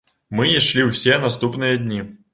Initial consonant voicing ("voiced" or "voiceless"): voiced